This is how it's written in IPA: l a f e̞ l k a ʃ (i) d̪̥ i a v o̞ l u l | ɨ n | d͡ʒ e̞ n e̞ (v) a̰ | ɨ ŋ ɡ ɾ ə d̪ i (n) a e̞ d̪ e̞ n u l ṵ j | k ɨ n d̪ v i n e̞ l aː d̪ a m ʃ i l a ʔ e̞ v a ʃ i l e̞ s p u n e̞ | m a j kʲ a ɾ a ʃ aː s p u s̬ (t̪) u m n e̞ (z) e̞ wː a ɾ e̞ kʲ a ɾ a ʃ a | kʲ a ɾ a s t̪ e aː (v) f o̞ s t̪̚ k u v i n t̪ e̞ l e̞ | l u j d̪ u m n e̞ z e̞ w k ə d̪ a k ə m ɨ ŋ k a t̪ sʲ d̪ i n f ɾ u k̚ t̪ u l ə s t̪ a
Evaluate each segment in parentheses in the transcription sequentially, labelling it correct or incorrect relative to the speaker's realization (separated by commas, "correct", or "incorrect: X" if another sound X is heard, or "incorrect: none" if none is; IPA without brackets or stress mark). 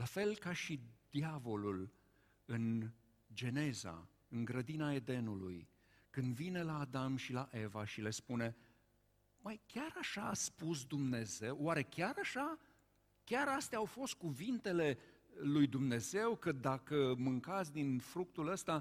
correct, incorrect: z, correct, incorrect: d̪, correct, incorrect: w